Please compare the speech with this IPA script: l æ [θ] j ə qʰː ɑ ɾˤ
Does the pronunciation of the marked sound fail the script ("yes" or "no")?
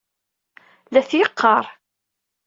no